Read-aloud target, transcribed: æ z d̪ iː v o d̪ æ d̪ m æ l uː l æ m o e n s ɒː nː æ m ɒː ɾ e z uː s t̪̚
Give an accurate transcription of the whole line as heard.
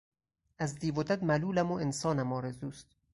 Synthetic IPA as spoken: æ z d̪ iː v o d̪ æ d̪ m æ l uː l æ m o e n s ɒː n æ m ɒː ɾ e z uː s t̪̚